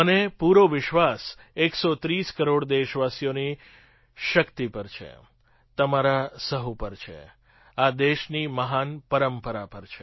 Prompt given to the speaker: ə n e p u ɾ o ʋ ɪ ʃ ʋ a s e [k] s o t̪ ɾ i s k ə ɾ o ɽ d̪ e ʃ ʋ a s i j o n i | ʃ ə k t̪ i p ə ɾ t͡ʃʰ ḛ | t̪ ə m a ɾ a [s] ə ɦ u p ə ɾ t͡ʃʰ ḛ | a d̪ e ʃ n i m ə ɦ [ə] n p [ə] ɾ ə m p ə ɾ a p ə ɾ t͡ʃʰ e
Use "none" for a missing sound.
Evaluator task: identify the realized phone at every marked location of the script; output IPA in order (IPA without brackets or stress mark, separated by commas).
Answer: k, s, a, ə